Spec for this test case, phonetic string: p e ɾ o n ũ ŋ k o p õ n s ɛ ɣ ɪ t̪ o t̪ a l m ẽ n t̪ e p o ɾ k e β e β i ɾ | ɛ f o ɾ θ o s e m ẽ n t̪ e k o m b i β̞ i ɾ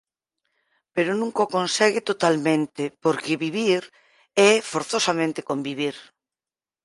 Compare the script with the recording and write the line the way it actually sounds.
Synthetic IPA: p e ɾ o n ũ ŋ k o k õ n s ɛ ɣ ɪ t̪ o t̪ a l m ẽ n t̪ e p o ɾ k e β i β i ɾ | ɛ f o ɾ θ o s a m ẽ n t̪ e k o m b i β̞ i ɾ